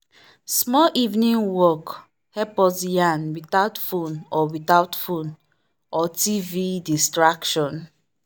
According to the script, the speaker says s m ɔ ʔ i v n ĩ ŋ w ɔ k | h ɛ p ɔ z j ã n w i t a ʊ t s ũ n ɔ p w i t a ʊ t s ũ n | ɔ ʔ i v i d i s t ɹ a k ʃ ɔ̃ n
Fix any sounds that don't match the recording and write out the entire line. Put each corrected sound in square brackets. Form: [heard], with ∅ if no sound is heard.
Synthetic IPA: s m ɔ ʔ i v n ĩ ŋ w ɔ k | h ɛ p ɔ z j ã n w i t a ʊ t [f] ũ n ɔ [∅] w i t a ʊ t [f] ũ n | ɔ [t] i v i d i s t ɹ a k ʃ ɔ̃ n